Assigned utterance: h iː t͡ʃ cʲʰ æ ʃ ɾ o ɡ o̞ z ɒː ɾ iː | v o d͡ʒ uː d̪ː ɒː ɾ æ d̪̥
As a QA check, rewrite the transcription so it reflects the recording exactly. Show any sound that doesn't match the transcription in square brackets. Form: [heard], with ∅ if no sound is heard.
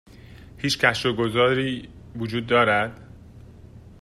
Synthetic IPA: h iː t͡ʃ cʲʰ æ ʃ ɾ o ɡ o̞ z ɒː ɾ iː | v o d͡ʒ uː d̪ː ɒː ɾ æ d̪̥

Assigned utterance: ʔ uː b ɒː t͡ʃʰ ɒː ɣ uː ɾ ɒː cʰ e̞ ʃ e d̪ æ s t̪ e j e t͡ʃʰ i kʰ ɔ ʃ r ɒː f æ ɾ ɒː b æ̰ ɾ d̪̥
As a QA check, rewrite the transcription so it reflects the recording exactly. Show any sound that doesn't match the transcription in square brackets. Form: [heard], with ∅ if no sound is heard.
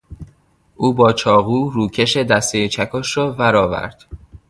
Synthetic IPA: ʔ uː b ɒː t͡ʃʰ ɒː ɣ uː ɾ [uː] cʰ e̞ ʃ e d̪ æ s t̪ e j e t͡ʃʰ [æ] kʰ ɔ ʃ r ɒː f æ ɾ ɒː [v] æ̰ ɾ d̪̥

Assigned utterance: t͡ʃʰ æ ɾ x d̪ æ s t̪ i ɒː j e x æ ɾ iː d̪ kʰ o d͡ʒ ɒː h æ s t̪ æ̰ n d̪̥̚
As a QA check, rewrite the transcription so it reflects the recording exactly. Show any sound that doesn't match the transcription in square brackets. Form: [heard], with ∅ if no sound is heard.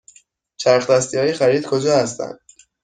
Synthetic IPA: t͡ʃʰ æ ɾ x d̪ æ s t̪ i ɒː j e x æ ɾ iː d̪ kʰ o d͡ʒ ɒː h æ s t̪ æ̰ n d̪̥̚

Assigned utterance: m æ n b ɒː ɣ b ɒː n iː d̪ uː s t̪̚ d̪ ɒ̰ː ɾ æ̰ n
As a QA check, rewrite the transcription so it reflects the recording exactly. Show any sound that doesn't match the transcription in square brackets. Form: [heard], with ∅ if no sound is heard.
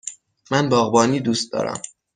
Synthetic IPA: m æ n b ɒː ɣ b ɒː n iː d̪ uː s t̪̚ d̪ ɒ̰ː ɾ æ̰ [m]

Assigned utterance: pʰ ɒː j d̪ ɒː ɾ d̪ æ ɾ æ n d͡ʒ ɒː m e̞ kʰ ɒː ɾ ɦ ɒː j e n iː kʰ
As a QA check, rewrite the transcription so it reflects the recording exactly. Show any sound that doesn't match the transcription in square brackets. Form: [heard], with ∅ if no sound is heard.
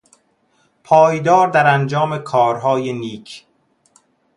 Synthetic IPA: pʰ ɒː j d̪ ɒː ɾ d̪ æ ɾ æ n d͡ʒ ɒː m e̞ kʰ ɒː ɾ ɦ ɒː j e n iː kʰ

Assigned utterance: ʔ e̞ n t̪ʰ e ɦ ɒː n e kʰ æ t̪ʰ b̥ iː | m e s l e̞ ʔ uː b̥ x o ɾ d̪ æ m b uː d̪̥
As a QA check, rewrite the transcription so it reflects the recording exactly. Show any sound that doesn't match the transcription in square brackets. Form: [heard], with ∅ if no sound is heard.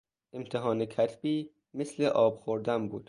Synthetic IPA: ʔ e̞ [m] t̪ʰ e ɦ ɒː n e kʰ æ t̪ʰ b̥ iː | m e s l e̞ ʔ [ɒː] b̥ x o ɾ d̪ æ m b uː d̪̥

